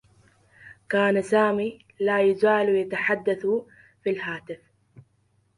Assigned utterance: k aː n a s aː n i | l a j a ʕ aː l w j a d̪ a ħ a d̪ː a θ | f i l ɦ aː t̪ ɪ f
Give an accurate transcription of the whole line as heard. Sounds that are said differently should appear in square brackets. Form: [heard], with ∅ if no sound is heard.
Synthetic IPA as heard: k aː n a s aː [m] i | l a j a [z] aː l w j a [t̪] a ħ a d̪ː a θ | f i l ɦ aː t̪ ɪ f